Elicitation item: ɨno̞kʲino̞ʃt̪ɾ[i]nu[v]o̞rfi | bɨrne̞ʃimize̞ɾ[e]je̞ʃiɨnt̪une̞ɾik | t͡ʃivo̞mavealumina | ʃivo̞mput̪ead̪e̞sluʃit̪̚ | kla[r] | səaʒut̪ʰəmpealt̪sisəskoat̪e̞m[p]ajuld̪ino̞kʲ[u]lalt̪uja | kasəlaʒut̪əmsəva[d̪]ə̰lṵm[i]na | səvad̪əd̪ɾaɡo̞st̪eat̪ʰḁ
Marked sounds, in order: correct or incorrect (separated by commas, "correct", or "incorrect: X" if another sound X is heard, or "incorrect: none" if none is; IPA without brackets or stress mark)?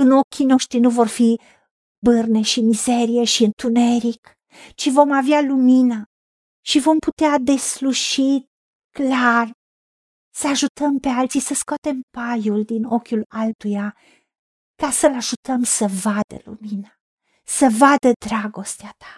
correct, correct, incorrect: i, correct, correct, correct, correct, correct